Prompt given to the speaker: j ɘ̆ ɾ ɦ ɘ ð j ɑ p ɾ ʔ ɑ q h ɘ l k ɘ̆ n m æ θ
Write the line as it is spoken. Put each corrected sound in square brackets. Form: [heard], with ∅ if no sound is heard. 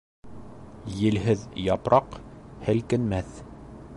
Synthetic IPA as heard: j ɘ̆ [l] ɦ ɘ ð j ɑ p ɾ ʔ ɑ q h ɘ l k ɘ̆ n m æ θ

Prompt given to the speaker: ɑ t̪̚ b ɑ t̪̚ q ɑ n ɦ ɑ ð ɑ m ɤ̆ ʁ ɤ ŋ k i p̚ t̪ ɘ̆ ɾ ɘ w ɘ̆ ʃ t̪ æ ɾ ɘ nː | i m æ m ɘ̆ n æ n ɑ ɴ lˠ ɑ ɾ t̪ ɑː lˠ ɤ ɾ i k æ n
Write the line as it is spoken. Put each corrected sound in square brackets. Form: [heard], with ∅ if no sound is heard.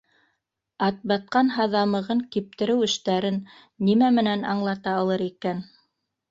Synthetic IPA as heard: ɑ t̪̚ b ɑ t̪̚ q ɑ n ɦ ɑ ð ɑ m ɤ̆ ʁ ɤ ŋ k i p̚ t̪ ɘ̆ ɾ ɘ w ɘ̆ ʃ t̪ æ ɾ ɘ nː | i m æ m ɘ̆ n æ n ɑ ɴ lˠ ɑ [∅] t̪ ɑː lˠ ɤ ɾ i k æ n

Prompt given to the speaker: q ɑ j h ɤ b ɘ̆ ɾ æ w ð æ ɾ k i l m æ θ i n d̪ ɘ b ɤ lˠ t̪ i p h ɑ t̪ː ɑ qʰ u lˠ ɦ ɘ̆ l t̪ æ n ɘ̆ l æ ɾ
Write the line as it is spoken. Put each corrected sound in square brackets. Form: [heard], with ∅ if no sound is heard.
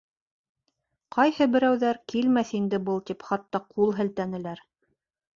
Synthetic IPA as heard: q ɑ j h ɤ b ɘ̆ ɾ æ w ð æ ɾ k i l m æ θ i n d̪ ɘ b ɤ lˠ t̪ i p [χ] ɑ t̪ː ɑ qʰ u lˠ ɦ ɘ̆ l t̪ æ n ɘ̆ l æ ɾ

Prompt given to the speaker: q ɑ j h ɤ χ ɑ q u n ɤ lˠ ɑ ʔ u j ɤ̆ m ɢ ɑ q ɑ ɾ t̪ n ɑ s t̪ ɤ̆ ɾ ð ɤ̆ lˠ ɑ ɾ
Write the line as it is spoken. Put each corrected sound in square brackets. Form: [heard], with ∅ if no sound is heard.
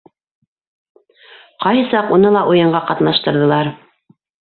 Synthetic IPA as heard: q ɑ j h ɤ [s] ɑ q u n ɤ lˠ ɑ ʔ u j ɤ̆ [ɴ] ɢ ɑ q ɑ [∅] t̪ n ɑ [ʃ] t̪ ɤ̆ ɾ ð ɤ̆ lˠ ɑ ɾ

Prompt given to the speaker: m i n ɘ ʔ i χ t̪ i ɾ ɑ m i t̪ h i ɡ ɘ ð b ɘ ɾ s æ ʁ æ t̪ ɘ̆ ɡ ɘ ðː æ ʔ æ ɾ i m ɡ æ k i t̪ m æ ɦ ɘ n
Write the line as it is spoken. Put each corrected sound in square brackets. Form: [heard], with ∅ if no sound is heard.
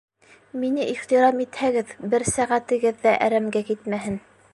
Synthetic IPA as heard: m i n ɘ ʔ i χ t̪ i ɾ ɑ m i t̪ h [æ] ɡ ɘ ð b ɘ ɾ s æ ʁ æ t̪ ɘ̆ ɡ ɘ ðː æ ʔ æ ɾ [æ] m ɡ æ k i t̪ m æ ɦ ɘ n

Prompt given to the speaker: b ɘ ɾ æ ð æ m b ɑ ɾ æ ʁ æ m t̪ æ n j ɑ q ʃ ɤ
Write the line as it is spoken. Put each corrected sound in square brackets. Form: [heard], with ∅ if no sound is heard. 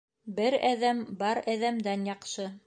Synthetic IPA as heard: b ɘ ɾ æ ð æ m b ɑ ɾ æ [ð] æ m [d̪] æ n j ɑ q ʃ ɤ

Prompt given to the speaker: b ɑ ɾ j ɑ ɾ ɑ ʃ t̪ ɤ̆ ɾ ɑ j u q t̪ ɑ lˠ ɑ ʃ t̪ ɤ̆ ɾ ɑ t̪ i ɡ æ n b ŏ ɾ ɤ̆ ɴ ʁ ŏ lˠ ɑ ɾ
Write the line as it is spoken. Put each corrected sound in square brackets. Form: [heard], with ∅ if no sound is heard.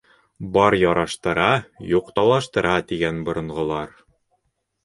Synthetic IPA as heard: b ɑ ɾ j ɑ ɾ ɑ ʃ t̪ ɤ̆ ɾ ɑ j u q t̪ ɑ lˠ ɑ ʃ t̪ ɤ̆ ɾ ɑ t̪ i ɡ æ n b ŏ ɾ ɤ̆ ɴ ʁ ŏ lˠ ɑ ɾ

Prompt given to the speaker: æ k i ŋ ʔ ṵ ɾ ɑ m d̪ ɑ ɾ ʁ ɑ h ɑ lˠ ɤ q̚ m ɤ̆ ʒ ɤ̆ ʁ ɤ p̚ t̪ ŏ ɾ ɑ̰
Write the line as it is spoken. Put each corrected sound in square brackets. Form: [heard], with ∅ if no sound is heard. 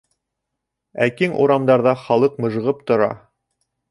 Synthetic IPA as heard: æ k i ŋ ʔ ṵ ɾ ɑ m d̪ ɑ ɾ [ð] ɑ [χ] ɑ lˠ ɤ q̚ m ɤ̆ ʒ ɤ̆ ʁ ɤ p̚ t̪ ŏ ɾ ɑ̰

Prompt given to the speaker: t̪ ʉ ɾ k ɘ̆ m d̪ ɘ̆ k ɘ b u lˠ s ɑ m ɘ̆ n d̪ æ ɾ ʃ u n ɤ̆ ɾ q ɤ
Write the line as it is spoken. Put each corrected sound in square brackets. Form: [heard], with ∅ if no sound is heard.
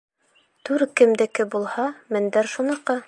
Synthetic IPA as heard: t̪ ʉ ɾ k ɘ̆ m d̪ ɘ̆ k ɘ b u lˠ [h] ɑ m ɘ̆ n d̪ æ ɾ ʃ u n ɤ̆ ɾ q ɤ

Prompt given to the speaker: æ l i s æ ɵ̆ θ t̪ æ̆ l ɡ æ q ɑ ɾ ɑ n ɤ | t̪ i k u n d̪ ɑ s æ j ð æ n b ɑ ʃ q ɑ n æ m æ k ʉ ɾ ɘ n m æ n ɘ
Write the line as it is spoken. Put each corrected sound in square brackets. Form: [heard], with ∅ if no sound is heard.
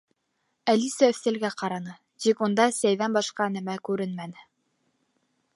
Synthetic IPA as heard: æ l i s æ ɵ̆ θ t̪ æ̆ l ɡ æ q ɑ ɾ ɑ n ɤ | t̪ i k u n d̪ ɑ s æ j ð æ n b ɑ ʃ q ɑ n æ m æ k ʉ ɾ ɘ n m æ n ɘ

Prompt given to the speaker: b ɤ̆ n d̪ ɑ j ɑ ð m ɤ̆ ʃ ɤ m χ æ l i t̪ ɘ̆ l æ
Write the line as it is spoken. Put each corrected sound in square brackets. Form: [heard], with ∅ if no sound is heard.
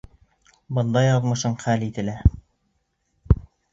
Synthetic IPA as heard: b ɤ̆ n d̪ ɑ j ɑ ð m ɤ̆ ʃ ɤ [ɴ] χ æ l i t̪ ɘ̆ l æ

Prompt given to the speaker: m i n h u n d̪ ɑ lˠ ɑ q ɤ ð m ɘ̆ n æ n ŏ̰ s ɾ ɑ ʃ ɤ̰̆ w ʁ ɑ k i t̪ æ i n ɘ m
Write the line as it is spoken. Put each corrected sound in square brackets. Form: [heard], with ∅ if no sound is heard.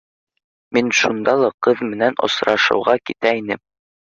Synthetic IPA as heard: m i n [ʃ] u n d̪ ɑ lˠ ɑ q ɤ ð m ɘ̆ n æ n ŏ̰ s ɾ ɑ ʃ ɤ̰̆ w ʁ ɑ k i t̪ æ i n ɘ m

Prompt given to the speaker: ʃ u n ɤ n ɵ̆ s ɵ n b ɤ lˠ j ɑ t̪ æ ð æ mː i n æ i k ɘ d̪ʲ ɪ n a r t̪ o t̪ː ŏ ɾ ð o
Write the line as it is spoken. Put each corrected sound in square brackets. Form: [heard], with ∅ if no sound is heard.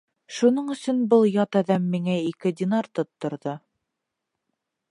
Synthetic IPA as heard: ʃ u n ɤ [ɴ] ɵ̆ s ɵ n b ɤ lˠ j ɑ t̪ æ ð æ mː i [ŋ] æ i k ɘ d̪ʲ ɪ n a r t̪ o t̪ː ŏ ɾ ð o

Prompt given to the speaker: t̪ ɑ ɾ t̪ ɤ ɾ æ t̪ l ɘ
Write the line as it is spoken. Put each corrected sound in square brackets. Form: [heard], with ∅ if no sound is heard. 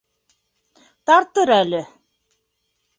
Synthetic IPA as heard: t̪ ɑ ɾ t̪ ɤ ɾ æ [∅] l ɘ

